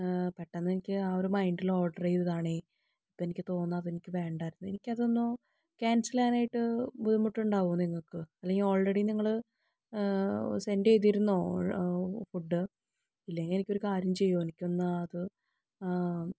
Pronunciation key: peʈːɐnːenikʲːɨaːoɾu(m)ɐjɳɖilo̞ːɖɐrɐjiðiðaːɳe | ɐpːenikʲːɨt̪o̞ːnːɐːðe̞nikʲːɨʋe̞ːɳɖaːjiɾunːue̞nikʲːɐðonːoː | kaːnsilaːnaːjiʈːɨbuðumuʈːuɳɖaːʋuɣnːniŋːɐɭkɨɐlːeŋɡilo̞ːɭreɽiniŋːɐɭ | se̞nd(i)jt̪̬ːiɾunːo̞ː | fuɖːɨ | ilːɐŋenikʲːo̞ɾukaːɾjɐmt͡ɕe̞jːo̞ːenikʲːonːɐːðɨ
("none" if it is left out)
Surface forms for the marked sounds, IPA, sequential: m, e

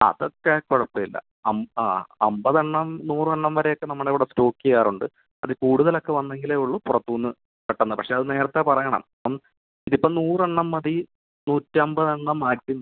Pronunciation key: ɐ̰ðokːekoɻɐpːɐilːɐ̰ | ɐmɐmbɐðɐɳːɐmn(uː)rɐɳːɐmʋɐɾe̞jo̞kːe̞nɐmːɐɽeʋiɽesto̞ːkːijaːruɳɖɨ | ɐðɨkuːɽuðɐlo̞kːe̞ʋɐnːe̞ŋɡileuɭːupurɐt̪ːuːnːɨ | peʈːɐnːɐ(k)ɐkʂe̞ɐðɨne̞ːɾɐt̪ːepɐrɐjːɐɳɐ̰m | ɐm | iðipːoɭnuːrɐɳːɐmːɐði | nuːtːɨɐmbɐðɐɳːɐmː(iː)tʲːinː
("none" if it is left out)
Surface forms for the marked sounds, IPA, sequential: uː, p, aː

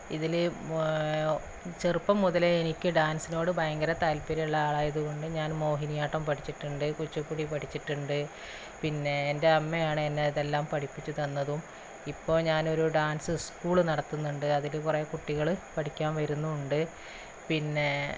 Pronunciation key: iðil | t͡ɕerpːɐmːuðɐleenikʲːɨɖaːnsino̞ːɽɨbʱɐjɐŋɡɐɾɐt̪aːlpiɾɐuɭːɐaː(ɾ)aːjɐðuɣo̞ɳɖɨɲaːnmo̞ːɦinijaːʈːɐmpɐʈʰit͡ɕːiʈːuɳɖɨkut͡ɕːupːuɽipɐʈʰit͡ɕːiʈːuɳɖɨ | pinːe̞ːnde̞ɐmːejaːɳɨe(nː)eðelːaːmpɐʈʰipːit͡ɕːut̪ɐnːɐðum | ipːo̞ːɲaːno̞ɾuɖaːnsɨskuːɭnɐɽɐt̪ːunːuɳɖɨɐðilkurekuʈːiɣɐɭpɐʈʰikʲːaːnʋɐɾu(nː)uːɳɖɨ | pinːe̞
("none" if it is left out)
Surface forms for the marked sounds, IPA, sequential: ɭ, nː, nː

